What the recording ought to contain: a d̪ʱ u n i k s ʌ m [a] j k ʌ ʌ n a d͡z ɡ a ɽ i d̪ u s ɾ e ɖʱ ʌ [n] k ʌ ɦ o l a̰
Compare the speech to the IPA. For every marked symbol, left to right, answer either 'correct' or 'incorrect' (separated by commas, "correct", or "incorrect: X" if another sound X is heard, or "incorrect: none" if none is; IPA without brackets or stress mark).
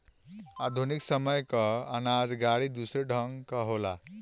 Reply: incorrect: ʌ, incorrect: ŋ